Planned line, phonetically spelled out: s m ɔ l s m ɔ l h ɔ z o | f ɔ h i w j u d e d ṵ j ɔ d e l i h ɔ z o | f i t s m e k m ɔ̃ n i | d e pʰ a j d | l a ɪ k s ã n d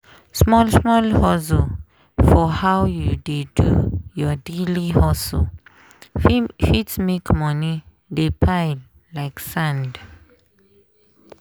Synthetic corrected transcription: s m ɔ l s m ɔ l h ɔ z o | f ɔ h a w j u d e d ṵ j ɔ d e l i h ɔ s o | f i t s m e k m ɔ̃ n i | d e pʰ a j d | l a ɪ k s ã n d